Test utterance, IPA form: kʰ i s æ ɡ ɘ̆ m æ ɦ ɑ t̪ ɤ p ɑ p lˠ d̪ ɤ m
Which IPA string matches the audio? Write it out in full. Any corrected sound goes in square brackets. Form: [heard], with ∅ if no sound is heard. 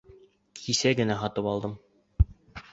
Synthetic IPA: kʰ i s æ ɡ ɘ̆ [n] æ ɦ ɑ t̪ ɤ p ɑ [∅] lˠ d̪ ɤ m